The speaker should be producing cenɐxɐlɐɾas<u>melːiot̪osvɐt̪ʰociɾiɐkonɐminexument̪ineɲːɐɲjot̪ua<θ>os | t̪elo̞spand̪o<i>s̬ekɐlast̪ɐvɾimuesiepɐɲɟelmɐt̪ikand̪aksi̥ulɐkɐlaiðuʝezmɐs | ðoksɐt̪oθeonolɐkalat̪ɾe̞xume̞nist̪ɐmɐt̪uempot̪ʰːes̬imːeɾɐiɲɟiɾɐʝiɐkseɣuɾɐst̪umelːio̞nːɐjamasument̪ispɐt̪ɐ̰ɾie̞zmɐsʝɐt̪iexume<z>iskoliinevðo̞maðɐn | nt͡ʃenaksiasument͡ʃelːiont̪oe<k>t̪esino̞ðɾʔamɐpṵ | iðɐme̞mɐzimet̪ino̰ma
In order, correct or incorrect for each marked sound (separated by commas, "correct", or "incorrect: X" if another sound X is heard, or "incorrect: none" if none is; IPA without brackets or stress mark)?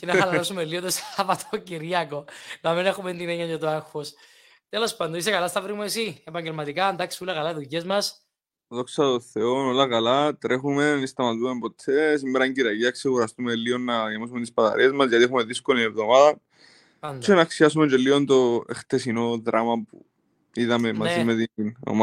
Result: correct, incorrect: x, correct, incorrect: ð, incorrect: x